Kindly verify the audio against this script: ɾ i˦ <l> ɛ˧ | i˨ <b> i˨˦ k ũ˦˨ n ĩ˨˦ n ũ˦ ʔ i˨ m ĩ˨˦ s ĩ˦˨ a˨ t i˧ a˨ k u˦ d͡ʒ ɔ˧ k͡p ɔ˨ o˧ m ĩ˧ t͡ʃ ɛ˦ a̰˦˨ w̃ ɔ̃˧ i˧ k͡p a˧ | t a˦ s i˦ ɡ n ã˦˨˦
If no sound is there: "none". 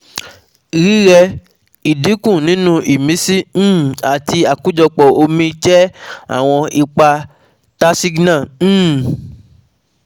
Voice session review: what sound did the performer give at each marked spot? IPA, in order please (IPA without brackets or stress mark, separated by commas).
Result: ɾ, d